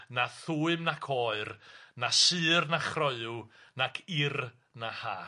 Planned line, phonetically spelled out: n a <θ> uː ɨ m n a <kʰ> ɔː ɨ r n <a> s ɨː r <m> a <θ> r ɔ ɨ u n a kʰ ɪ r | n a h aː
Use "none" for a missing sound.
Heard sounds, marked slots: θ, kʰ, a, n, χ

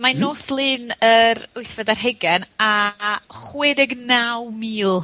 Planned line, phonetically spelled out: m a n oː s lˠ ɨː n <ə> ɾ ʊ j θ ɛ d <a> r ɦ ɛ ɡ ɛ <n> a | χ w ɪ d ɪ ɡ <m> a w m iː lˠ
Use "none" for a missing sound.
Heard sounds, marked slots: ə, a, n, n

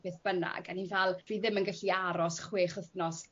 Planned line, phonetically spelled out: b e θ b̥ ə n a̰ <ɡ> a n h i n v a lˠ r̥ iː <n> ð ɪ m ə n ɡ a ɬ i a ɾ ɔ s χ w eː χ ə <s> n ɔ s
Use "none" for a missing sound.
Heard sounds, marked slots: ɡ, none, θ

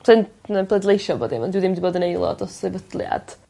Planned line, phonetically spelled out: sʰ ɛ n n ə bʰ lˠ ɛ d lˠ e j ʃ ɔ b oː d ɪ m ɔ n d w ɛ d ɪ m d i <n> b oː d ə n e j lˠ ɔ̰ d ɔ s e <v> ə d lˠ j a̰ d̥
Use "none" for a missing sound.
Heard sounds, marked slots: none, v

